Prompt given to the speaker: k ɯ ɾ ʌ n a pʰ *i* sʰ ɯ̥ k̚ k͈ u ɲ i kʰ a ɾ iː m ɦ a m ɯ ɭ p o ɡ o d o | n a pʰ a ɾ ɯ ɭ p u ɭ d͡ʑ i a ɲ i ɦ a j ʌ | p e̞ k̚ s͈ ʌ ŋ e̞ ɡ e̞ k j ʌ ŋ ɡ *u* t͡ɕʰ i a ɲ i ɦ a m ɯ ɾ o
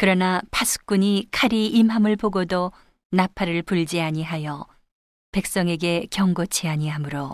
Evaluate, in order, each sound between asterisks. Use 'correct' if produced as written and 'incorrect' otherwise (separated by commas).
incorrect, incorrect